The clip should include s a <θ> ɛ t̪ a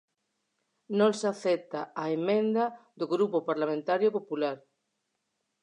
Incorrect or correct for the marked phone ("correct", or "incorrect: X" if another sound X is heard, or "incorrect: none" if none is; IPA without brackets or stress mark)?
correct